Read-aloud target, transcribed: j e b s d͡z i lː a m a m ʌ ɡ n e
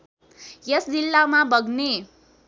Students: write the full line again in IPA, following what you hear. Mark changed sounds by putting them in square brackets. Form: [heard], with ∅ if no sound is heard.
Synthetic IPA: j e [∅] s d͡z i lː a m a [b] ʌ ɡ n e